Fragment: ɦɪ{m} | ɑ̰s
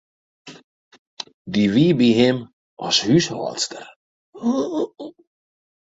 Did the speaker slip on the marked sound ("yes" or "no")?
no